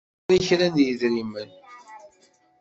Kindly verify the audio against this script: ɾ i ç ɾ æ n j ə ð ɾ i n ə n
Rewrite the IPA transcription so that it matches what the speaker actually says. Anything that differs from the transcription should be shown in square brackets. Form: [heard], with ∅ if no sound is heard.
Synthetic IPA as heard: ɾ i ç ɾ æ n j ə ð ɾ i [m] ə n